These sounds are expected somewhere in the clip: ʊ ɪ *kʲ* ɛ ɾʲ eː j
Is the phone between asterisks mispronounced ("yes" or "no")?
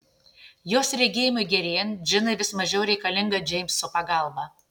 yes